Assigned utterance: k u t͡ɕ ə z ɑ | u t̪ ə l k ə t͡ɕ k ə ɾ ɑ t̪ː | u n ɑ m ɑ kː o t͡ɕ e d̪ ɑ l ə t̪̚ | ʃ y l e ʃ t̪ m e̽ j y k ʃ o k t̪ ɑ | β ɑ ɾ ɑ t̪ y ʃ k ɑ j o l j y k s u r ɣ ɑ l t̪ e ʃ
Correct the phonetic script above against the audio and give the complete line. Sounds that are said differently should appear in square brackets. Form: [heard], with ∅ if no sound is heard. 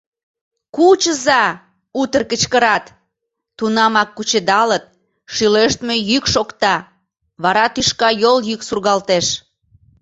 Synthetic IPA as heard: k u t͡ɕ ə z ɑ | u t̪ ə [r] k ə t͡ɕ k ə ɾ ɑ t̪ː | u n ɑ m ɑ kː [u] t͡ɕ e d̪ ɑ l ə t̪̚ | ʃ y l e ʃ t̪ m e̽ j y k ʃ o k t̪ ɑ | β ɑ ɾ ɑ t̪ y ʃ k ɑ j o l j y k s u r ɣ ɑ l t̪ e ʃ

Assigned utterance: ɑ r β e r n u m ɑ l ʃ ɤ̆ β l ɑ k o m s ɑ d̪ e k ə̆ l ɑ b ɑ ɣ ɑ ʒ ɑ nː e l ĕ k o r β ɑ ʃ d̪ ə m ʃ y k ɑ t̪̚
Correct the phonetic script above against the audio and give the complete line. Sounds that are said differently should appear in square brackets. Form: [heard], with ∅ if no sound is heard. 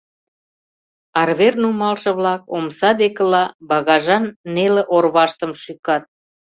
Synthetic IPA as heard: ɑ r β e r n u m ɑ l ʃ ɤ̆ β l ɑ k o m s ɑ d̪ e k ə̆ l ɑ b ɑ ɣ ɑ ʒ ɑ nː e l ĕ [ʔ] o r β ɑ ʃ [t̪] ə m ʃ y k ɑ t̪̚

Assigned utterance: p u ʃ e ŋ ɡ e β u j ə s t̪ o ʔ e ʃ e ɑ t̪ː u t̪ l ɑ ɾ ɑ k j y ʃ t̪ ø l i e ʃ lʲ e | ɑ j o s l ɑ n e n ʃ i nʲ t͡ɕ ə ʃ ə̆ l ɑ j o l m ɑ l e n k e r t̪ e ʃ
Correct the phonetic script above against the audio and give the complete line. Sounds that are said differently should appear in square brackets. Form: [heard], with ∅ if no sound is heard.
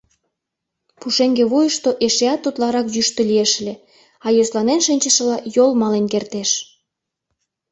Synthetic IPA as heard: p u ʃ e ŋ ɡ e β u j ə [ʃ] t̪ o ʔ e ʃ e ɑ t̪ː u t̪ l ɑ ɾ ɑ k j y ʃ t̪ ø l i e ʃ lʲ e | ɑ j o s l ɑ n e n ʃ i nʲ t͡ɕ ə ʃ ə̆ l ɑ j o l m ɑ l e n k e r t̪ e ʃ

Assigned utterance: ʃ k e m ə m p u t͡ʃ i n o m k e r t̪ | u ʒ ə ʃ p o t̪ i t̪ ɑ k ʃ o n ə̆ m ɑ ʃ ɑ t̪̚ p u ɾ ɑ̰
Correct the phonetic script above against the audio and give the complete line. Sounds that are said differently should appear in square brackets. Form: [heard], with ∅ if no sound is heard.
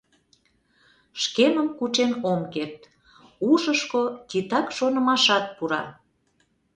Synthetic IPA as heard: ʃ k e m ə m [k] u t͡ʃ [e] n o m k e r t̪ | u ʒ ə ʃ [k] o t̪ i t̪ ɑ k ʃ o n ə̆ m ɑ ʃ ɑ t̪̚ p u ɾ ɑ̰

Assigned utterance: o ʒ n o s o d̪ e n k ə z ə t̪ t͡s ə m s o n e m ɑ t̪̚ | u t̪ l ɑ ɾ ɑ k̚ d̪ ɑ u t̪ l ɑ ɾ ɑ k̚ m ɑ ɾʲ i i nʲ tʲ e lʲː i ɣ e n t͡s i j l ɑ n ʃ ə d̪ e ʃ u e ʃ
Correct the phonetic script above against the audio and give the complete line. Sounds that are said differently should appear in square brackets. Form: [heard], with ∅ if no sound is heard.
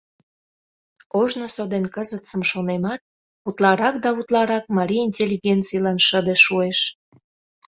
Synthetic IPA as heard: o ʒ n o s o d̪ e n k ə z ə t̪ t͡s ə m [ʃ] o n e m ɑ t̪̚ | u t̪ l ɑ ɾ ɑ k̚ d̪ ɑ u t̪ l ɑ ɾ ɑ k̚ m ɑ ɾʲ i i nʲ tʲ e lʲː i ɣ e n t͡s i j l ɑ n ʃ ə d̪ e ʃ u e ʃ

